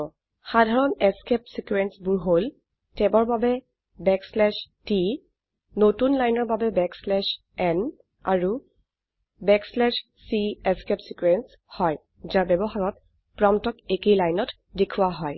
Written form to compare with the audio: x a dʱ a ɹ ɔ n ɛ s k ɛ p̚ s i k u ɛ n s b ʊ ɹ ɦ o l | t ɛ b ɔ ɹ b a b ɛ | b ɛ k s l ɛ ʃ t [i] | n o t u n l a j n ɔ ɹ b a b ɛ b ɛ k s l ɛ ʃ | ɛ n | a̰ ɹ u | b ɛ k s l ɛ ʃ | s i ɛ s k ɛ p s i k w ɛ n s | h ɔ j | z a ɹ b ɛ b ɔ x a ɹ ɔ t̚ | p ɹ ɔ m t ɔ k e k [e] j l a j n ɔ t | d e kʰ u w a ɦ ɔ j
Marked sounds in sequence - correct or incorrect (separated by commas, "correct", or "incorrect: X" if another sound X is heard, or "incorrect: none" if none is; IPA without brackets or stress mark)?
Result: correct, correct